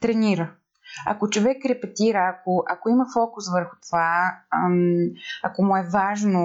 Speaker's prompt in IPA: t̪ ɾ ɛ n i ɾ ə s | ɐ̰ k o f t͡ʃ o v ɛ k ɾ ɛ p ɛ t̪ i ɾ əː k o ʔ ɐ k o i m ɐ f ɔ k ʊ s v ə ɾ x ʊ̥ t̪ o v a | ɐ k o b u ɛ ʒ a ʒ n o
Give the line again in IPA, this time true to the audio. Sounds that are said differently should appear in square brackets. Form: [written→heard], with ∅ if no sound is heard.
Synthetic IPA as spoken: t̪ ɾ ɛ n i ɾ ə [s→∅] | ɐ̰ k o [f→∅] t͡ʃ o v ɛ k ɾ ɛ p ɛ t̪ i ɾ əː k o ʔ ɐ k o i m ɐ f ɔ k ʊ s v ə ɾ x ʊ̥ t̪ o v a | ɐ k o [b→m] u ɛ [ʒ→v] a ʒ n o